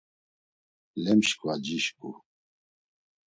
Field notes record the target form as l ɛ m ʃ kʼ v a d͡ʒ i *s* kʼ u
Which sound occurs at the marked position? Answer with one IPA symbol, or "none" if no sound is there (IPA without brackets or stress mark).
ʃ